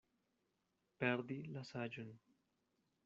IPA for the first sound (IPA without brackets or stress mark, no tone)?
p